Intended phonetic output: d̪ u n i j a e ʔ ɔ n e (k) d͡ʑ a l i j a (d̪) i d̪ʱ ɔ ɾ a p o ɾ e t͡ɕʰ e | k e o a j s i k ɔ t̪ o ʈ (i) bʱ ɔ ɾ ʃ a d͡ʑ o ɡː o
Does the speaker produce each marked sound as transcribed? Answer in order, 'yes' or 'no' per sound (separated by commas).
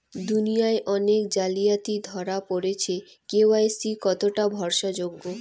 yes, no, no